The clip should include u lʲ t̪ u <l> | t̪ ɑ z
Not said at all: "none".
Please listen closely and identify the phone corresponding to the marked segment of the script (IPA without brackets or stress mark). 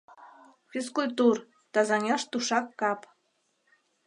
r